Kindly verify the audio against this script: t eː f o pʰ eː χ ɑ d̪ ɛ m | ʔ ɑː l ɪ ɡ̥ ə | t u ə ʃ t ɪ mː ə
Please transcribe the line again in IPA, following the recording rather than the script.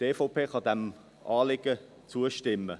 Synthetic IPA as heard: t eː f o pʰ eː χ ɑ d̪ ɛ m | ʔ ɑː l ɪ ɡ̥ ə | t͡s u ə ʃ t ɪ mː ə